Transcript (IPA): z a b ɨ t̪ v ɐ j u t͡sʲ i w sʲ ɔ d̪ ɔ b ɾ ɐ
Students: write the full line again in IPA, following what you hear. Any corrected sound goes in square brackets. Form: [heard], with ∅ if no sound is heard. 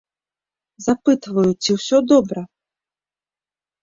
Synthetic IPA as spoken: z a [p] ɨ t̪ v ɐ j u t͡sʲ i w sʲ ɔ d̪ ɔ b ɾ ɐ

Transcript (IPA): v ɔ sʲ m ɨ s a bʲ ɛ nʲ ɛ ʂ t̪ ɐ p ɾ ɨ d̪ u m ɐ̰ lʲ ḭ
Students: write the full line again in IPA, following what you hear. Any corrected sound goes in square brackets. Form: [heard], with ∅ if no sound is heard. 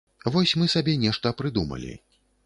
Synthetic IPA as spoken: v ɔ sʲ m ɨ s a bʲ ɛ nʲ ɛ ʂ t̪ ɐ p ɾ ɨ d̪ u m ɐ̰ lʲ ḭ

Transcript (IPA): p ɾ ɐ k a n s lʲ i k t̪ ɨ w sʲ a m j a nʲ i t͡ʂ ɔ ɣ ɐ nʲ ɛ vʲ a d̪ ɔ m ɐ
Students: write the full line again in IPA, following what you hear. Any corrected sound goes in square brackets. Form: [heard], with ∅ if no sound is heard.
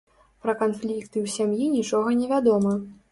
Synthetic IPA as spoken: p ɾ ɐ k a n [f] lʲ i k t̪ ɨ w sʲ a m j [i] nʲ i t͡ʂ ɔ ɣ ɐ nʲ ɛ vʲ a d̪ ɔ m ɐ

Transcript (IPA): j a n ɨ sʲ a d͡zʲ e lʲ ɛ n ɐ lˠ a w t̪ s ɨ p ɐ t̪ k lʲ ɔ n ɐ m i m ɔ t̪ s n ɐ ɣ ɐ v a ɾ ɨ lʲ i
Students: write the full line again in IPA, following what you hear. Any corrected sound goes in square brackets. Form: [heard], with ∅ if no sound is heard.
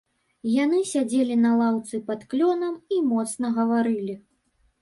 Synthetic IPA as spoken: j a n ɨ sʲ a d͡zʲ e lʲ [i] n ɐ lˠ a w t̪ s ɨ p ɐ t̪ k lʲ ɔ n ɐ m i m ɔ t̪ s n ɐ ɣ ɐ v a ɾ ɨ lʲ i

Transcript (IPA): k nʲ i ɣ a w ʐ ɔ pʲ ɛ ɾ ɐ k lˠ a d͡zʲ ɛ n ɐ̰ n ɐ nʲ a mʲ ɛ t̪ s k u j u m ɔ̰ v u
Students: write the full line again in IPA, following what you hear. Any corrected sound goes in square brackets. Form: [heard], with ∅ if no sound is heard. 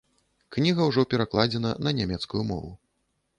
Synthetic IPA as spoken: k nʲ i ɣ [ɐ] w ʐ ɔ pʲ ɛ ɾ [a] k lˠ a d͡zʲ ɛ n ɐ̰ n ɐ nʲ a mʲ ɛ t̪ s k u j u m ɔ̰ v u

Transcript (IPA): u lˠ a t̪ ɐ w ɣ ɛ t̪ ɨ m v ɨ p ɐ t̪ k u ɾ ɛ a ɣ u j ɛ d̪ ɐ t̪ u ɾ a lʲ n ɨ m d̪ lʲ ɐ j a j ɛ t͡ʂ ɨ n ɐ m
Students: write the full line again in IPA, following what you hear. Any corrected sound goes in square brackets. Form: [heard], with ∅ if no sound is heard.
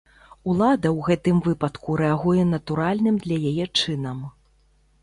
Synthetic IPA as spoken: u lˠ a [d̪] ɐ w ɣ ɛ t̪ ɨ m v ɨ p ɐ t̪ k u ɾ ɛ a ɣ u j ɛ [n̪] ɐ t̪ u ɾ a lʲ n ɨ m d̪ lʲ ɐ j a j ɛ t͡ʂ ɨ n ɐ m

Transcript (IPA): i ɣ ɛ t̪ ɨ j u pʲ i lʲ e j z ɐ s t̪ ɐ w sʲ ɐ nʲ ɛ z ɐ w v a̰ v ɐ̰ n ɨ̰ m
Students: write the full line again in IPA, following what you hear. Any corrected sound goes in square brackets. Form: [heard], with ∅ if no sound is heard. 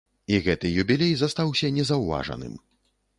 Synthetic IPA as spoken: i ɣ ɛ t̪ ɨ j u [bʲ] i lʲ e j z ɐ s t̪ [a] w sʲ ɐ nʲ ɛ z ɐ w v a̰ [ʐ] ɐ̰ n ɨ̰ m

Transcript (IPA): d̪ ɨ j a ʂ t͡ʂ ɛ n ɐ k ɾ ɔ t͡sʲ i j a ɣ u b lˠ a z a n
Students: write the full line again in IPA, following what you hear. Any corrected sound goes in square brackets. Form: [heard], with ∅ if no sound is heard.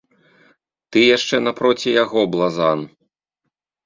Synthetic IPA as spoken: [t̪] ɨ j a ʂ t͡ʂ ɛ n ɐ [p] ɾ ɔ t͡sʲ i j a ɣ [ɔ] b lˠ a z a n

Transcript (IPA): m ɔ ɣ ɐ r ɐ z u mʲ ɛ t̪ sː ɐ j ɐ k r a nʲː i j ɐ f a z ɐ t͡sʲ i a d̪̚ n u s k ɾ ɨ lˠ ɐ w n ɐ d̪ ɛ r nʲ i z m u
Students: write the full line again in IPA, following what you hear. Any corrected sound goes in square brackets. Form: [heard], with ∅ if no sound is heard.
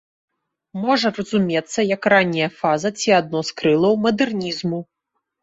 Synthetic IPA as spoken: m ɔ [ʐ] ɐ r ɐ z u mʲ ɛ t̪ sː ɐ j ɐ k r a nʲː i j ɐ f a z ɐ t͡sʲ i a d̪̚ n [ɔ] s k ɾ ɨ lˠ ɐ w [m] ɐ d̪ ɛ r nʲ i z m u

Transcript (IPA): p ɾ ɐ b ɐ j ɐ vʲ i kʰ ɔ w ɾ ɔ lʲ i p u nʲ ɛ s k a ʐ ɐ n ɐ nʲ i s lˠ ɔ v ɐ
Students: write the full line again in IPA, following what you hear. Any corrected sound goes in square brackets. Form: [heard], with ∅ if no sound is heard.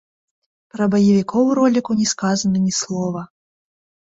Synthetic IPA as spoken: p ɾ ɐ b ɐ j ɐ vʲ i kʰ ɔ w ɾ ɔ lʲ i [k] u nʲ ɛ s k a [z] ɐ n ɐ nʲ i s lˠ ɔ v ɐ

